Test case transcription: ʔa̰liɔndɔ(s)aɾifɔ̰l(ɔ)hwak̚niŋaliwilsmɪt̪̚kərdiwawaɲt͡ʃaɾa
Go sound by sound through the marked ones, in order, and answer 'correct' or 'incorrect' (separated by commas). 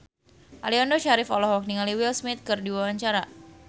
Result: incorrect, correct